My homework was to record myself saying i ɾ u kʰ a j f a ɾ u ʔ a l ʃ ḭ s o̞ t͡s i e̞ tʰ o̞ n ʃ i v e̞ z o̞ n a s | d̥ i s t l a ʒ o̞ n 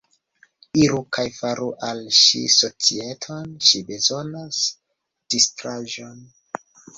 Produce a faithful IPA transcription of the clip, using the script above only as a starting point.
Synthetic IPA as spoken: i ɾ u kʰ a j f a ɾ u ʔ a l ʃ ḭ s o̞ t͡s i e̞ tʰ o̞ n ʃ i b e̞ z o̞ n a s | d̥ i s t ɾ a ʒ o̞ n